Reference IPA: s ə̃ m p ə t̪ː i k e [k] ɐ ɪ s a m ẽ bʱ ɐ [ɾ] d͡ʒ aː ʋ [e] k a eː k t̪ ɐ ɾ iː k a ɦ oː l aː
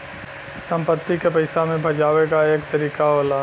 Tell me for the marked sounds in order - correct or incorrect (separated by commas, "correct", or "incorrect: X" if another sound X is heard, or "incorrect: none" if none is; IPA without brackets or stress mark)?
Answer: incorrect: p, incorrect: none, correct